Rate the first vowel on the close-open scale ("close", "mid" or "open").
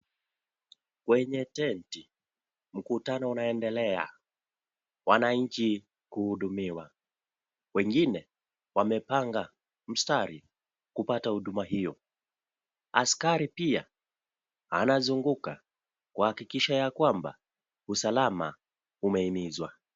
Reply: mid